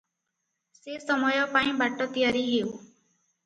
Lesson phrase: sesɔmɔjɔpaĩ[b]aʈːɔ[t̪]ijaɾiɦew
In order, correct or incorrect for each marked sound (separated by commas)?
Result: correct, correct